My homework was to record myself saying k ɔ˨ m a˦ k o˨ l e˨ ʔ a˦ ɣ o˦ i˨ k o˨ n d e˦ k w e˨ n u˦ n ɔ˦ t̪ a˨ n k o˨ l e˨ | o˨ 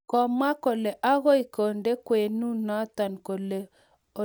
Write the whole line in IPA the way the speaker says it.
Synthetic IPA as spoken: k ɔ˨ m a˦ k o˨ l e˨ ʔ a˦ ɣ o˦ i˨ k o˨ n d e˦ k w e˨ n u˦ n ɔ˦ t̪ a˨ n k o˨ l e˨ | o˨